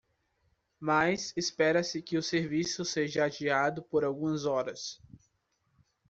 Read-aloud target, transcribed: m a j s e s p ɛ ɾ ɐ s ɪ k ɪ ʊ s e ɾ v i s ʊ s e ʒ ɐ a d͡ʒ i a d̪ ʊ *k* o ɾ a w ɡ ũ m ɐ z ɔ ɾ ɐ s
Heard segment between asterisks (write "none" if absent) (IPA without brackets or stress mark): p